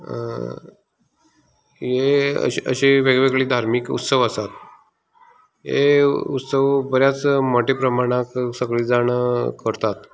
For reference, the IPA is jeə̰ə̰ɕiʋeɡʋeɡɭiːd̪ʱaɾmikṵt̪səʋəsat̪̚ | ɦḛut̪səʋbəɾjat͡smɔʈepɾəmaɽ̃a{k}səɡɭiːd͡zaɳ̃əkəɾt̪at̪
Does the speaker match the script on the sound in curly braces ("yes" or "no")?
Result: yes